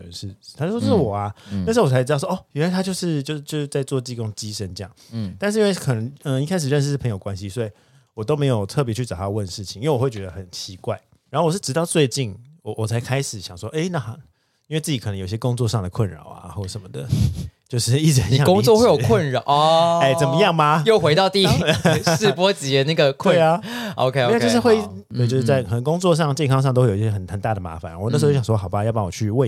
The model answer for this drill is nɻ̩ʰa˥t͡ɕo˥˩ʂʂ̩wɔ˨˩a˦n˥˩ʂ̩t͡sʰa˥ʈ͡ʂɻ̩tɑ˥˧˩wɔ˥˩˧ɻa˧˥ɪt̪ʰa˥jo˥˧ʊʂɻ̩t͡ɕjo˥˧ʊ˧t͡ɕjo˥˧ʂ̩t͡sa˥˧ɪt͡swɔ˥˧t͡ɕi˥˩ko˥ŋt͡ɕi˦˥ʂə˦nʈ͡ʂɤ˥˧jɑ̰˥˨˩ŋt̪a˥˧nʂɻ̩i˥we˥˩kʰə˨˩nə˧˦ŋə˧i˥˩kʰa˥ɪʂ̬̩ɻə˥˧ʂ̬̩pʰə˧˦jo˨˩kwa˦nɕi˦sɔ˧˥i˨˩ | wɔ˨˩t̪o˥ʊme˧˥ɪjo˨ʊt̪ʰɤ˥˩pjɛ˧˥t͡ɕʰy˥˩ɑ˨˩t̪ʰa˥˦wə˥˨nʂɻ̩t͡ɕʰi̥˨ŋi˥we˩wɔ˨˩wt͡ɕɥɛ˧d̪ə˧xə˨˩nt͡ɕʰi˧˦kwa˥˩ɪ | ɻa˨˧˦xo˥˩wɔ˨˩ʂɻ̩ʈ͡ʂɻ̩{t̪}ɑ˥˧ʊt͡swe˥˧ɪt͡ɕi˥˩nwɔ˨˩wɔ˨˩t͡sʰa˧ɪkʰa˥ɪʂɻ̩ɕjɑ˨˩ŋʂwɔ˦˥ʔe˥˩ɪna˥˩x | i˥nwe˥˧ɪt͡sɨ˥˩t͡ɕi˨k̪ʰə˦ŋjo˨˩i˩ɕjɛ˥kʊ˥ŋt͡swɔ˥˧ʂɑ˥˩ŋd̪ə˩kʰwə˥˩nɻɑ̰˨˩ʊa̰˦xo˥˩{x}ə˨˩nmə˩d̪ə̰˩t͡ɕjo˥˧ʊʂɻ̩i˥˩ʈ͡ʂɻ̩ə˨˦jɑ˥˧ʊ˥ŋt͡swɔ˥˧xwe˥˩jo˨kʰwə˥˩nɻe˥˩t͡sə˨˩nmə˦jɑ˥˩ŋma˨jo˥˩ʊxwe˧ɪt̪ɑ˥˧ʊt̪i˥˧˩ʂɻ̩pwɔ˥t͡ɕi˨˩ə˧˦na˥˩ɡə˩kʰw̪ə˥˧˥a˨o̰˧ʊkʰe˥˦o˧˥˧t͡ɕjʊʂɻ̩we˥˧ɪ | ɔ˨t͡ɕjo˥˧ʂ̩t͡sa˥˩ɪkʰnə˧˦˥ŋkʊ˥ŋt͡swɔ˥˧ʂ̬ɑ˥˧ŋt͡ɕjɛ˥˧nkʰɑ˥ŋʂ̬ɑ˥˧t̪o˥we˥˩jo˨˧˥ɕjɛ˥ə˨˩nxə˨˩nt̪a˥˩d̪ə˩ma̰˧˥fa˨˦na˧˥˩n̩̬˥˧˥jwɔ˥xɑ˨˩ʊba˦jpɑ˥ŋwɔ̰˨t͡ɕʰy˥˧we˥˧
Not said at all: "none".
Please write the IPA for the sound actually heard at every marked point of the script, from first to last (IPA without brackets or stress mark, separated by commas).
t̪, ʂ